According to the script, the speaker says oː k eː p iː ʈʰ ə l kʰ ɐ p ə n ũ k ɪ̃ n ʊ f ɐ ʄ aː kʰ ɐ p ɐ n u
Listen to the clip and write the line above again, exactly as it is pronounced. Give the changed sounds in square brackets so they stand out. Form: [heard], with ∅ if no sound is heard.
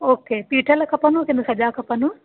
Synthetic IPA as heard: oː k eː p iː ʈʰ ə l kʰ ɐ p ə n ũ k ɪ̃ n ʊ [s] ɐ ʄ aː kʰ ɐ p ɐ n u